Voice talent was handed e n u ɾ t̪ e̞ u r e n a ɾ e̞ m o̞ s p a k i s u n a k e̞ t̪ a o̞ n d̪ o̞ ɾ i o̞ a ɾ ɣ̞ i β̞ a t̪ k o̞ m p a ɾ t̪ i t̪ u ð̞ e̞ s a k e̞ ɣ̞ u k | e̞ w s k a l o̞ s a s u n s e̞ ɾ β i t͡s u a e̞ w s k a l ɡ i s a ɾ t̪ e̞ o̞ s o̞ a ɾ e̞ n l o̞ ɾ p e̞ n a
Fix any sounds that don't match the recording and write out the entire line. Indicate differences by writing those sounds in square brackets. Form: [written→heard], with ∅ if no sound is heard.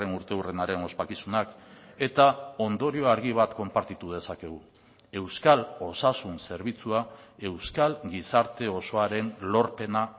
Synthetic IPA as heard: e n u ɾ t̪ e̞ u r e n a ɾ e̞ [m→n] o̞ s p a k i s u n a k e̞ t̪ a o̞ n d̪ o̞ ɾ i o̞ a ɾ ɣ̞ i β̞ a t̪ k o̞ m p a ɾ t̪ i t̪ u ð̞ e̞ s a k e̞ ɣ̞ u [k→∅] | e̞ w s k a l o̞ s a s u n s e̞ ɾ β i t͡s u a e̞ w s k a l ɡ i s a ɾ t̪ e̞ o̞ s o̞ a ɾ e̞ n l o̞ ɾ p e̞ n a